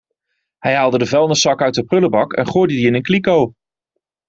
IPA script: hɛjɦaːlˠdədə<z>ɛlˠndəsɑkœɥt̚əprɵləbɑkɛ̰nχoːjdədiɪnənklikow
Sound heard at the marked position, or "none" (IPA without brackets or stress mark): v